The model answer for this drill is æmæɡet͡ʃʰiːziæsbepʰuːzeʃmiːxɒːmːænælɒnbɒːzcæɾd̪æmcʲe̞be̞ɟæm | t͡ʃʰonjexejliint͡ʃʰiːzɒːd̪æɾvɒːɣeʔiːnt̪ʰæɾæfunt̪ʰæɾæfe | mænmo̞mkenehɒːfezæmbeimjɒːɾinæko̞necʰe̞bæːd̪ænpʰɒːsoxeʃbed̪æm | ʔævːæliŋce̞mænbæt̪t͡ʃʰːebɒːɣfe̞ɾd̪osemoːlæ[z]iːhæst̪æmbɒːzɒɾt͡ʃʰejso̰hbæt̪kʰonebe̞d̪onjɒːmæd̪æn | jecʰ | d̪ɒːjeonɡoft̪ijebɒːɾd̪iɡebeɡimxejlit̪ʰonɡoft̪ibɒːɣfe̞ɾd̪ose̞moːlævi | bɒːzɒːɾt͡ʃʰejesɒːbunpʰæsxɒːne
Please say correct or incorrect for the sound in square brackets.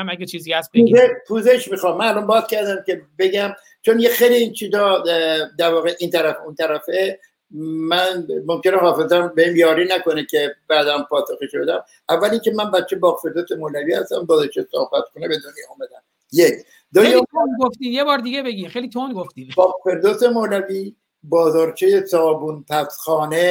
incorrect